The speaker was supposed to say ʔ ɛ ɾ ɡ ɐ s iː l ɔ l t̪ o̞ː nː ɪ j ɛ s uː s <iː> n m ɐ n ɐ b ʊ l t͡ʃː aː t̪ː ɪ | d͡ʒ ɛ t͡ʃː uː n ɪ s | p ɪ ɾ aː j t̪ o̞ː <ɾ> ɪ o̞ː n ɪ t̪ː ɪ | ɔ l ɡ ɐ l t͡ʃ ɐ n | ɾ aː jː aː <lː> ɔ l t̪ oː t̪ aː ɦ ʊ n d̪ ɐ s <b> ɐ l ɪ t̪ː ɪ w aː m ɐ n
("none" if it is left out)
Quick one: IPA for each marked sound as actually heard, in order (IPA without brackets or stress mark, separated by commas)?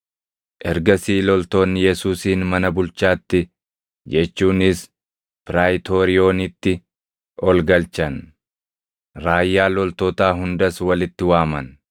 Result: iː, ɾ, l, w